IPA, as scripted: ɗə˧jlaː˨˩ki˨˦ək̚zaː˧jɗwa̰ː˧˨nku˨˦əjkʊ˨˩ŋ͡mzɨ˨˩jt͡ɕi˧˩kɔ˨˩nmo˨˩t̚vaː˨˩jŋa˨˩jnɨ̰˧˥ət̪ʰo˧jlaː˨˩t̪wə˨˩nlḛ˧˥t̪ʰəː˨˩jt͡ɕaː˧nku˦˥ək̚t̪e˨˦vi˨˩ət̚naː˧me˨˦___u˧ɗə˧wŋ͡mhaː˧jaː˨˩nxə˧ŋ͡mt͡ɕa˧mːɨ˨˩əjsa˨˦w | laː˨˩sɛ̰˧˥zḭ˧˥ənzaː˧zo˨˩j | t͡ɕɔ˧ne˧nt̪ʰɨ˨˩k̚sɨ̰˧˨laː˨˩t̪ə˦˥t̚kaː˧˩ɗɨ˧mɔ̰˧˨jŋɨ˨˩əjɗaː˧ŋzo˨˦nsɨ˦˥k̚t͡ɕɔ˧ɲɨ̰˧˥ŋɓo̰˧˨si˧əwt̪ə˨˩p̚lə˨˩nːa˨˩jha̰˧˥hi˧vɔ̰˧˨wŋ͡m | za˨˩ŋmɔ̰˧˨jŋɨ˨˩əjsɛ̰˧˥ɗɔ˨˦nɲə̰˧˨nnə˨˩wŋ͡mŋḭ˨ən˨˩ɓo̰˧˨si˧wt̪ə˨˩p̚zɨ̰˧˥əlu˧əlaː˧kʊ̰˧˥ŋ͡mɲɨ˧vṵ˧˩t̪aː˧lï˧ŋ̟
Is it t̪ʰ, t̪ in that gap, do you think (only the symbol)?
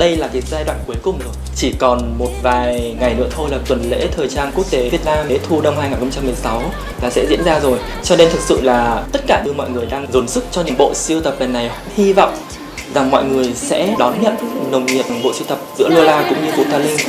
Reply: t̪ʰ